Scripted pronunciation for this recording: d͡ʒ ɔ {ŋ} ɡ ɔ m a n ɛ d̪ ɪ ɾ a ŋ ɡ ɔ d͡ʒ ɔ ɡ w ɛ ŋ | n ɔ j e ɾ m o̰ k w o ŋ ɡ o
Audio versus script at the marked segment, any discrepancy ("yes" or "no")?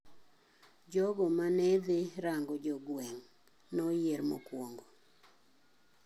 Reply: yes